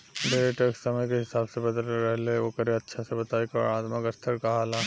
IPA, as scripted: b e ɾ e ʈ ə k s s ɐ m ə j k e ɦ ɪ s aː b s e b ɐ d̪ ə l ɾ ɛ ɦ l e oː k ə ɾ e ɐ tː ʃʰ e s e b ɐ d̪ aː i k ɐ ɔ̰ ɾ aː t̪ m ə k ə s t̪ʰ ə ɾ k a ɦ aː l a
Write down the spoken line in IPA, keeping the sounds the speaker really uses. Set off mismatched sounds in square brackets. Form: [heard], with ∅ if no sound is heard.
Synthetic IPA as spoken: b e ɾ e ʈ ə k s s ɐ m ə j k e ɦ ɪ s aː b s e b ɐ d̪ ə l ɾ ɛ ɦ l e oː k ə ɾ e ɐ tː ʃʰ [a] s e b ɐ [t̪] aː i k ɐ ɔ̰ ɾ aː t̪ m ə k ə s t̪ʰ ə ɾ k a ɦ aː l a